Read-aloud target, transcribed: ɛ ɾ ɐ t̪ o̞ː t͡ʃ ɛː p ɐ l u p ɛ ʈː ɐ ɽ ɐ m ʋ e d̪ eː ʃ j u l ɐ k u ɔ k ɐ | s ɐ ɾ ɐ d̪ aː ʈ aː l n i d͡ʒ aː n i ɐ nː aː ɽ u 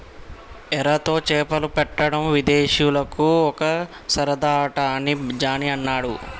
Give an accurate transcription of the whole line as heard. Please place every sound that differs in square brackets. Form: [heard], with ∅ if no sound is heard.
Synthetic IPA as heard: ɛ ɾ ɐ t̪ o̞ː t͡ʃ ɛː p ɐ l u p ɛ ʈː ɐ ɽ ɐ m ʋ [i] d̪ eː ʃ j u l ɐ k u ɔ k ɐ | s ɐ ɾ ɐ d̪ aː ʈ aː [∅] n i d͡ʒ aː n i ɐ nː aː ɽ u

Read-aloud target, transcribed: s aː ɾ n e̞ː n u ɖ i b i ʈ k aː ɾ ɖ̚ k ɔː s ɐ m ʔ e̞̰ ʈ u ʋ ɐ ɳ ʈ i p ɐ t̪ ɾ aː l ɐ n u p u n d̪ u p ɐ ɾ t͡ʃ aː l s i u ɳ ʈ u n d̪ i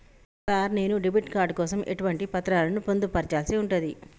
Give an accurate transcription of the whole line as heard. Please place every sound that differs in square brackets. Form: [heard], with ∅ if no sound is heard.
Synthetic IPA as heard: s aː ɾ n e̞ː n u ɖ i b i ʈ k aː ɾ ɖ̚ k ɔː s ɐ m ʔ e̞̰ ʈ u ʋ ɐ ɳ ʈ i p ɐ t̪ ɾ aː l ɐ n u p [o] n d̪ u p ɐ ɾ t͡ʃ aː l s i u ɳ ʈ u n d̪ i

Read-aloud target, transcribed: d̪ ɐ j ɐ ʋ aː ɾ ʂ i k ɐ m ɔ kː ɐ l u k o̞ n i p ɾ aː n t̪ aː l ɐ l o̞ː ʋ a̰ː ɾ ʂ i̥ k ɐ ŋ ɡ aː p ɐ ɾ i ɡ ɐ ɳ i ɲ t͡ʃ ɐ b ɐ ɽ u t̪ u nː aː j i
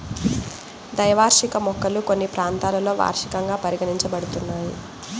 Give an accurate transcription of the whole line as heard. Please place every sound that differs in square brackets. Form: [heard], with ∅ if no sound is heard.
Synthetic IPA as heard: d̪ ɐ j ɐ ʋ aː ɾ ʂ i k ɐ m ɔ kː ɐ l u k o̞ [nː] i p ɾ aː n t̪ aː l ɐ l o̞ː ʋ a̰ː ɾ ʂ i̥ k ɐ ŋ ɡ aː p ɐ ɾ i ɡ ɐ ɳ i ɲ t͡ʃ ɐ b ɐ ɽ u t̪ u nː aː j i

